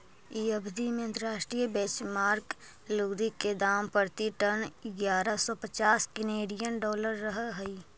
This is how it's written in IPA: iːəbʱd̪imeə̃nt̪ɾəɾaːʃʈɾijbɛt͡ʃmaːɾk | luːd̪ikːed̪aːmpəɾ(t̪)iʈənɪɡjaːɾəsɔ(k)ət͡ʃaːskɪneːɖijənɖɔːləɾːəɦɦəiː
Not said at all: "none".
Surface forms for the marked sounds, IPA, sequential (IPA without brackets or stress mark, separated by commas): t̪, p